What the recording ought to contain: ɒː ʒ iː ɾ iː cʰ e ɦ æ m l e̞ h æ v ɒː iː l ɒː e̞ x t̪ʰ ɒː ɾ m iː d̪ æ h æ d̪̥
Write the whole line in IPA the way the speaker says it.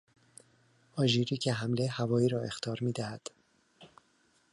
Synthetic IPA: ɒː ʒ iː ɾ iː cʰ e ɦ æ m l e̞ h æ v ɒː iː ɾ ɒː e̞ x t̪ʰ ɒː ɾ m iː d̪ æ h æ d̪̥